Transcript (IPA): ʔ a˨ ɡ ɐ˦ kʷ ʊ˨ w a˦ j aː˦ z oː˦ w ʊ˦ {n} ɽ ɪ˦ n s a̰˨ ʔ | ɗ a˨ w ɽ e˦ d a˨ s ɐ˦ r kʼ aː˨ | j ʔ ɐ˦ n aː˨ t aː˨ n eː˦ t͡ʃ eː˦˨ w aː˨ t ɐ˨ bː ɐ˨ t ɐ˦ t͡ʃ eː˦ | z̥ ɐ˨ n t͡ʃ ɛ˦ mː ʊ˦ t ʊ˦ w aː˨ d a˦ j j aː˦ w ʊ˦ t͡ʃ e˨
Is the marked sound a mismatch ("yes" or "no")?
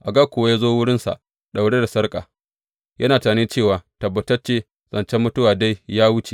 yes